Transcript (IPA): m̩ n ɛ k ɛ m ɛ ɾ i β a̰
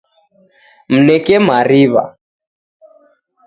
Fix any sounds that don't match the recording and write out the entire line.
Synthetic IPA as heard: m̩ n ɛ k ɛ m a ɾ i β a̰